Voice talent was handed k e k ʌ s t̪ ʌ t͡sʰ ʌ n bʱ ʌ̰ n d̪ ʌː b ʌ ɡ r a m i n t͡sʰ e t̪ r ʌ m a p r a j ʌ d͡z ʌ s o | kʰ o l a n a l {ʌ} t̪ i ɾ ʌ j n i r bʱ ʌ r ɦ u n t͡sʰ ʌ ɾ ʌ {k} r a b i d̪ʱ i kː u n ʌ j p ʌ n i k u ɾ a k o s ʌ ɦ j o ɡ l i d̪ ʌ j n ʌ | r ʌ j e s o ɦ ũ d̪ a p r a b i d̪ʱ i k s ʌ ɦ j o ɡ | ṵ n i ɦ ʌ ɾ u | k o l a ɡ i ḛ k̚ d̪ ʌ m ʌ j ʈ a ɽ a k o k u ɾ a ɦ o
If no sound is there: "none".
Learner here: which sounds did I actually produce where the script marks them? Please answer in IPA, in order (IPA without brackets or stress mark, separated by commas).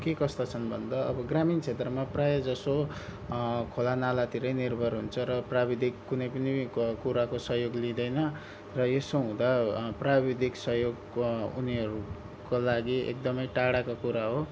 a, p